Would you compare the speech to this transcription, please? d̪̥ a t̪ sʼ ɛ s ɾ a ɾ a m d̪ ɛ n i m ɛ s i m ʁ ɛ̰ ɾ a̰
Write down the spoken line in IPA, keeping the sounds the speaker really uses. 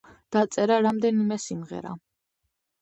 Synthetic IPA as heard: d̪̥ a t̪ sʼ ɛ ɾ a ɾ a m d̪ ɛ n i m ɛ s i m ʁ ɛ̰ ɾ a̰